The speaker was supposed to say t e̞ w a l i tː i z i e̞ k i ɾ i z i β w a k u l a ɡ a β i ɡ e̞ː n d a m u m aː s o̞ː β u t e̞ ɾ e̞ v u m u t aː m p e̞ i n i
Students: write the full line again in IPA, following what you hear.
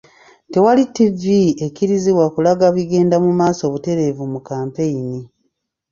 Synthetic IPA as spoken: t e̞ w a l i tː i v i e̞ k i ɾ i z i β w a k u l a ɡ a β i ɡ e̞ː n d a m u m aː s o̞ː β u t e̞ ɾ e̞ v u m u k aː m p e̞ i n i